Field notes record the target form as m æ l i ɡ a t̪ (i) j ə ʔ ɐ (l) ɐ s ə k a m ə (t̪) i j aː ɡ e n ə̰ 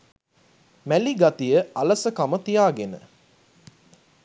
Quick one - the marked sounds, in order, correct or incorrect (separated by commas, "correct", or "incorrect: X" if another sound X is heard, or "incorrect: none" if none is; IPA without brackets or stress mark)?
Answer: correct, correct, correct